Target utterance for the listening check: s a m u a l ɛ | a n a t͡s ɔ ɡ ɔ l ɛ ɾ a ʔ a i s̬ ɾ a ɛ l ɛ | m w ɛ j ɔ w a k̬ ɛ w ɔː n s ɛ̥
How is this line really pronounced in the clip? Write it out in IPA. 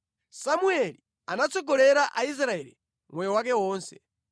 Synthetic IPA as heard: s a m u ɛ l i | a n a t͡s ɔ ɡ ɔ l ɛ ɾ a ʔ a i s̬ ɾ a ɛ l i | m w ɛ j ɔ w a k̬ ɛ w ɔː n s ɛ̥

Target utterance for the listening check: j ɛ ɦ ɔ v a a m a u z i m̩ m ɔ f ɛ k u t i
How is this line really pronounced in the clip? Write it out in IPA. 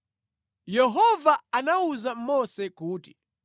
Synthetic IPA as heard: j ɛ ɦ ɔ v a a n a u z a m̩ m ɔ s ɛ k uː t i

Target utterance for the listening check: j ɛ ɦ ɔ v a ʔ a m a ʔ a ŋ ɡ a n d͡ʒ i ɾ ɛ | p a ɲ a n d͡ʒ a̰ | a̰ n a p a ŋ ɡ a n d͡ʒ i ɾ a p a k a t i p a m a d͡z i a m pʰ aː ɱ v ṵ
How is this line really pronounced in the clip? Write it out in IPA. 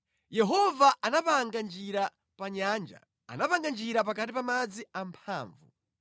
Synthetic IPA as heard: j ɛ ɦ ɔ v a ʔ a n a p a ŋ ɡ a n d͡ʒ i ɾ a | p a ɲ a n d͡ʒ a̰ | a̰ n a p a ŋ ɡ a n d͡ʒ i ɾ a p a k a t i p a m a d͡z i a m pʰ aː ɱ v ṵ

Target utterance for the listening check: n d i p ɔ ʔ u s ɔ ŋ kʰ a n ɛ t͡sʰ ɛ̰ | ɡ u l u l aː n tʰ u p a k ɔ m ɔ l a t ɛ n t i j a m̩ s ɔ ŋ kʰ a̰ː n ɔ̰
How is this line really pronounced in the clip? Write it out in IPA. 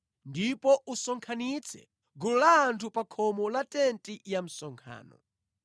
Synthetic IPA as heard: n d i p ɔ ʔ u s ɔ ŋ kʰ a n i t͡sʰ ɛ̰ | ɡ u l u l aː n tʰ u p a kʰ ɔ m ɔ l a t ɛ n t i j a m̩ s ɔ ŋ kʰ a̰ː n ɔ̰

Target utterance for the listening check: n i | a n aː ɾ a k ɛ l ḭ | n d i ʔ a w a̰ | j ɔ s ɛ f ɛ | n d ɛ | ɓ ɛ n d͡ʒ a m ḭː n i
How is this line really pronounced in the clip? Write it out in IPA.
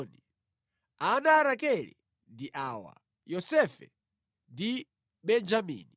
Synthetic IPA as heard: n i | a n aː ɾ a k ɛ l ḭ | n d i ʔ a w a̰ | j ɔ s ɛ f ɛ | n d i | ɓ ɛ n d͡ʒ a m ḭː n i

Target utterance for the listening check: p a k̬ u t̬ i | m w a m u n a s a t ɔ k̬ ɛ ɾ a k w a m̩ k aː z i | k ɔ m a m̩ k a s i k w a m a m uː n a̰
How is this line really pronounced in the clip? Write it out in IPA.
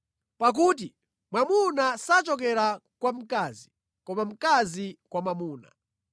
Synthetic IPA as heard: p a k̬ u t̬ i | m w a m u n a s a t͡ʃ ɔ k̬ ɛ ɾ a k w a m̩ k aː z i | k ɔ m a m̩ k a z i k w a m a m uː n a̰

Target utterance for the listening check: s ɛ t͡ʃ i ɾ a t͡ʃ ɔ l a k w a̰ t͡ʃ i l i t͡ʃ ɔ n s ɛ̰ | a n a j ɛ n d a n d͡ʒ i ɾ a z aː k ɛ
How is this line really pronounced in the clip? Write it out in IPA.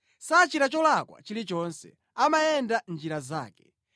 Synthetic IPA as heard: s a t͡ʃ i ɾ a t͡ʃ ɔ l a k w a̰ t͡ʃ i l i t͡ʃ ɔ n s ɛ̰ | a m a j ɛ n d a n d͡ʒ i ɾ a z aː k ɛ

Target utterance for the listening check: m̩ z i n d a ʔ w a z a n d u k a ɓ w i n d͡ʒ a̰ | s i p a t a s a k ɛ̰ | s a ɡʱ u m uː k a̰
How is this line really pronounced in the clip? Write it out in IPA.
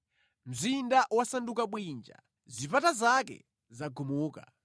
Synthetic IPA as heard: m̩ z i n d a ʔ w a s a n d u k a ɓ w i n d͡ʒ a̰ | z i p a t a z a k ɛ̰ | z a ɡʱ u m uː k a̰

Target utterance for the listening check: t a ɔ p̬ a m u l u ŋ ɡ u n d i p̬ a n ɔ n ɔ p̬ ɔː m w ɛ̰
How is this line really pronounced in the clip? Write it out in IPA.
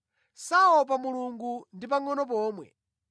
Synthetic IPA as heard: s a ɔ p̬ a m u l u ŋ ɡ u n d i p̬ a ŋ ɔ n ɔ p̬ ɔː m w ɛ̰

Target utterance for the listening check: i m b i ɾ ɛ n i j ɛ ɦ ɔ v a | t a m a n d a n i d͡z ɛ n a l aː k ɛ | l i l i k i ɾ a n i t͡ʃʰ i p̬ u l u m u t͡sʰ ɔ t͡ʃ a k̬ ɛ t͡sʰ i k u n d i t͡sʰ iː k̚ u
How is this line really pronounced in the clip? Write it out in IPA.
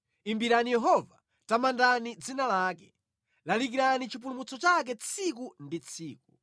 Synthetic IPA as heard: i m b i ɾ a n i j ɛ ɦ ɔ v a | t a m a n d a n i d͡z i n a l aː k ɛ | l a l i k i ɾ a n i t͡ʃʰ i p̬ u l u m u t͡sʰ ɔ t͡ʃ a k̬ ɛ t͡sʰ i k u n d i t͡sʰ iː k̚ u

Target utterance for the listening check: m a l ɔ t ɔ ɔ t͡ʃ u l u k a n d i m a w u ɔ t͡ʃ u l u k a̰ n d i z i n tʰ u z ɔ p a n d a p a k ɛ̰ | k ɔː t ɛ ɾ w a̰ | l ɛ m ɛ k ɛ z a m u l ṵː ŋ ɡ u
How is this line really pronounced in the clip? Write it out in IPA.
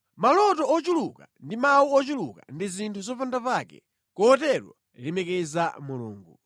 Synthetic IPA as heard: m a l ɔ t ɔ ɔ t͡ʃ u l u k a n d i m a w u ɔ t͡ʃ u l u k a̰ n d i z i n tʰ u z ɔ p a n d a p a k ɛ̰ | k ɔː t ɛ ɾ w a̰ | l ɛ m ɛ k ɛ z a m u l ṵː ŋ ɡ u

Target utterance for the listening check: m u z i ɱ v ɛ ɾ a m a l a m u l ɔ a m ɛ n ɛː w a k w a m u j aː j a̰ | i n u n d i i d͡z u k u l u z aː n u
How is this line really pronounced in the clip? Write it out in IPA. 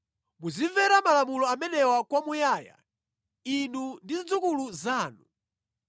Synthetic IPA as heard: m u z i ɱ v ɛ ɾ a m a l a m u l ɔ a m ɛ n ɛ w a k w a m u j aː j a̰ | i n u n d i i d͡z u k u l u z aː n u

